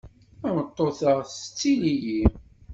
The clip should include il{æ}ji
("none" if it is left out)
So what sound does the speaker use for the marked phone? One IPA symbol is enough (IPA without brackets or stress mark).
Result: i